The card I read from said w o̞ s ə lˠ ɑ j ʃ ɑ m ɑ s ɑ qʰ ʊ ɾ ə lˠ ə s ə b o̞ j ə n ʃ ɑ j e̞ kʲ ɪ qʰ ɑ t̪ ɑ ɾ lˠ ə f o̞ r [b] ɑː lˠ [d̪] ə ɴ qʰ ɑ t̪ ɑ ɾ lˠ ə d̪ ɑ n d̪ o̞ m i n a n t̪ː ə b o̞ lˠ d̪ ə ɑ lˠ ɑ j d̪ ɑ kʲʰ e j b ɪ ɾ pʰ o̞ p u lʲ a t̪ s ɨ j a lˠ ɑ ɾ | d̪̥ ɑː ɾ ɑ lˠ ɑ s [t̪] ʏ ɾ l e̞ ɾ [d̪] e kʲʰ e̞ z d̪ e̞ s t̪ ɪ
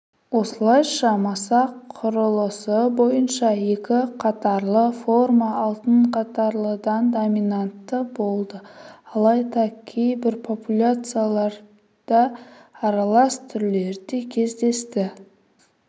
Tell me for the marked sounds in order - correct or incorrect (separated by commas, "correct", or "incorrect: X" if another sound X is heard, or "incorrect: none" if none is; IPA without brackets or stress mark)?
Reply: incorrect: m, incorrect: t̪, incorrect: t̪ʰ, correct